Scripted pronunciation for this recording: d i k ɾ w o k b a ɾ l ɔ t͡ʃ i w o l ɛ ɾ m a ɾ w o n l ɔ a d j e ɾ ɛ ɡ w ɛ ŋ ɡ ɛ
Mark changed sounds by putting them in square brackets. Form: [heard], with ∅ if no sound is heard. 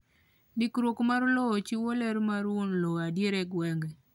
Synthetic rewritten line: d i k ɾ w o k [m] a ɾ l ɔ t͡ʃ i w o l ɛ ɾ m a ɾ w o n l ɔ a d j e ɾ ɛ ɡ w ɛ ŋ ɡ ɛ